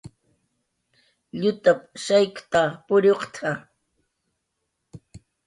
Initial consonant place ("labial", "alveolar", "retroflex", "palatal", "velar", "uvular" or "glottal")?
palatal